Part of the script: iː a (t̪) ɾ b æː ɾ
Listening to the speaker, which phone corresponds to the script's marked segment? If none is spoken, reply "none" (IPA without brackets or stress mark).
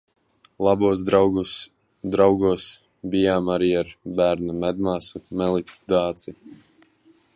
none